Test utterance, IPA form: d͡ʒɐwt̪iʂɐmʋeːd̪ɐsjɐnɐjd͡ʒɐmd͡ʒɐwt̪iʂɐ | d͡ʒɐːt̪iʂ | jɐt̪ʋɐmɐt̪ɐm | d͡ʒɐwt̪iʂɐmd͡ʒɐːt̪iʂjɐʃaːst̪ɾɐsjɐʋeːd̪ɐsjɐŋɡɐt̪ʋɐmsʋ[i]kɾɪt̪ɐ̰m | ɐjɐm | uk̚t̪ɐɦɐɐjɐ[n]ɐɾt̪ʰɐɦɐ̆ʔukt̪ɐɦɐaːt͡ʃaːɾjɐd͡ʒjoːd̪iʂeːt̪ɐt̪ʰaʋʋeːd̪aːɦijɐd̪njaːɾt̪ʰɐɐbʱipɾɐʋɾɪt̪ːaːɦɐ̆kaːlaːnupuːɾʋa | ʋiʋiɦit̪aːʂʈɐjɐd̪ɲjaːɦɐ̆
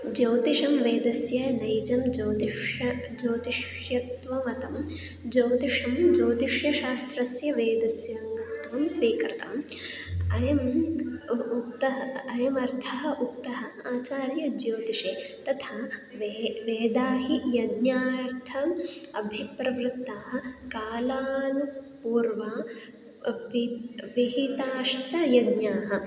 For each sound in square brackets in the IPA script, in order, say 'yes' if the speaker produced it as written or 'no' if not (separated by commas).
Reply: no, no